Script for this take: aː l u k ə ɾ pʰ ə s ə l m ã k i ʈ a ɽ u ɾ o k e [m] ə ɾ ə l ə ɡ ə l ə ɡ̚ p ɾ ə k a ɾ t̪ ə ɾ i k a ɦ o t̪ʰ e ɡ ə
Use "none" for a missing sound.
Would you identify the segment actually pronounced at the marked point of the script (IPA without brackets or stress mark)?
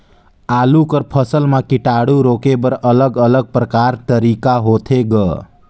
b